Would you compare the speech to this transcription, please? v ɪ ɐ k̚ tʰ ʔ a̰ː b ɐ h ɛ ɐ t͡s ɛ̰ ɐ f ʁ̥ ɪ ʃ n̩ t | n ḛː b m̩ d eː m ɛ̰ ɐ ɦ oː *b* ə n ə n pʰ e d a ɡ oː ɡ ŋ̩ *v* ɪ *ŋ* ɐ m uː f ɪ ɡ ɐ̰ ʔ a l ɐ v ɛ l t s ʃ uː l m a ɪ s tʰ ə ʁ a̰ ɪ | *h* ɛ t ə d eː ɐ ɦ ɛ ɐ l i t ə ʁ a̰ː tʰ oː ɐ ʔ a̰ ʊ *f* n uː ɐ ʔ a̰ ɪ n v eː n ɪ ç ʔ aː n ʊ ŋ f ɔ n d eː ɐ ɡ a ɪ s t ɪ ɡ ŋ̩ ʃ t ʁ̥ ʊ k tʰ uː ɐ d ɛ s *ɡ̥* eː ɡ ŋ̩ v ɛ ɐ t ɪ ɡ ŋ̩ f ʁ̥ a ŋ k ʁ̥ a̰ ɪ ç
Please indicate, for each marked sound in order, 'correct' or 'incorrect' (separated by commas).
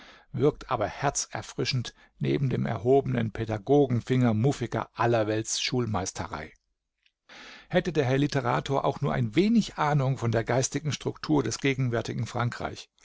correct, incorrect, correct, correct, incorrect, correct